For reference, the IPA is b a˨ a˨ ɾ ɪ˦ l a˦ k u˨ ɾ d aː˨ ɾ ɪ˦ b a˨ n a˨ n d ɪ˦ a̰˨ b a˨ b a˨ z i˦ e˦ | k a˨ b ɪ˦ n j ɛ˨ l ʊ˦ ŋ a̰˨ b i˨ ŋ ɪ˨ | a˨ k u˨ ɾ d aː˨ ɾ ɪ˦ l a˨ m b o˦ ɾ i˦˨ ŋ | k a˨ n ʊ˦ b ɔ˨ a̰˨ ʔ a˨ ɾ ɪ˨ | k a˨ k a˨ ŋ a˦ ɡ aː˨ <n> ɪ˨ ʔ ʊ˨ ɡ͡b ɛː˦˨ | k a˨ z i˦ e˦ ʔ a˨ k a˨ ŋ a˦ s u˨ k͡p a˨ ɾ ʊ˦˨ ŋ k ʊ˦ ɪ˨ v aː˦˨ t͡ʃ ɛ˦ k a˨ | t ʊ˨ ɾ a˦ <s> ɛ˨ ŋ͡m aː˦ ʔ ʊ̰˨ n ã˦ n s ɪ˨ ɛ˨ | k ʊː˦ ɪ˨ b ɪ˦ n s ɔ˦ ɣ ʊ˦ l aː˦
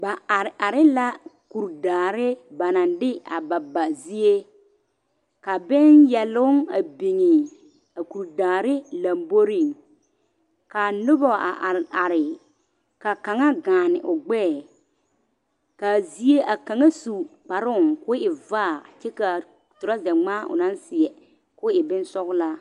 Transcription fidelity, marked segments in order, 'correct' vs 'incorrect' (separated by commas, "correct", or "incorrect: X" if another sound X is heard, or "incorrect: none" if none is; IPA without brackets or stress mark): correct, incorrect: z